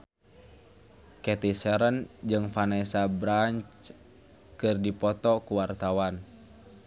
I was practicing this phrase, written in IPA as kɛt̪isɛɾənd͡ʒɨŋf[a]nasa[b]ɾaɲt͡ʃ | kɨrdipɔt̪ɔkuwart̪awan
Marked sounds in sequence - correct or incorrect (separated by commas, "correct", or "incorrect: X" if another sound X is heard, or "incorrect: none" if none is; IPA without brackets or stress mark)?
correct, correct